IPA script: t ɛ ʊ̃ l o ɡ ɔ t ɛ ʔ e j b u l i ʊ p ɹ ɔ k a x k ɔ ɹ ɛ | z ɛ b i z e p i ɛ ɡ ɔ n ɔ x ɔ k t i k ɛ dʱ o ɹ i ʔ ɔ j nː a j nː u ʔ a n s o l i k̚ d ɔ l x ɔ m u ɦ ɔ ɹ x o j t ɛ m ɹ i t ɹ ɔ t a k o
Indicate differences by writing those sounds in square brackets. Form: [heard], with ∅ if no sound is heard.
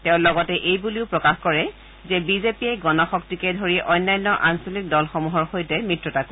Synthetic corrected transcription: t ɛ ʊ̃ l [ɔ] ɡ ɔ t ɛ ʔ e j b u l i ʊ p ɹ ɔ k a x k ɔ ɹ ɛ | z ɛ b i z e p i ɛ ɡ ɔ n ɔ x ɔ k t i k ɛ dʱ o ɹ i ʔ ɔ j nː a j nː [ɔ] ʔ a n s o l i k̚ d ɔ l x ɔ m u ɦ ɔ ɹ x o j t ɛ m ɹ i t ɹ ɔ t a k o